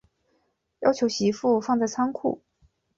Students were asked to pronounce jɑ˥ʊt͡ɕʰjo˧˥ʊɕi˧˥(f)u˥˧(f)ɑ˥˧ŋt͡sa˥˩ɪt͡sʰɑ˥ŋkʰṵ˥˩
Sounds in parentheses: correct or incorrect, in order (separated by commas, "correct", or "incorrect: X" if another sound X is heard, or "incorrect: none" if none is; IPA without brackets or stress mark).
correct, correct